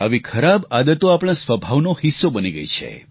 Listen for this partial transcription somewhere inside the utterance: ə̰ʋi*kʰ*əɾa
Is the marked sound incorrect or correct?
correct